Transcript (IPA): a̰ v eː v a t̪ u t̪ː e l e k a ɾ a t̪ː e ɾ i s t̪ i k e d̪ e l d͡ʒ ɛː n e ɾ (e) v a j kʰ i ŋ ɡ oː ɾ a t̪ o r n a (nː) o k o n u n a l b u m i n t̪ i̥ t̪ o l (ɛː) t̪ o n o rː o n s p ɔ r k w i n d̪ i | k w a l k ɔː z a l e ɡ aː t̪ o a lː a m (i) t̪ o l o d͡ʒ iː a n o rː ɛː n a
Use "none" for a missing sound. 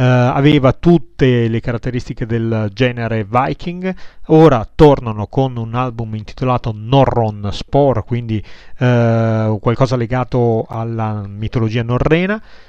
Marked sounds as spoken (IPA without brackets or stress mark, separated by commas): e, n, aː, i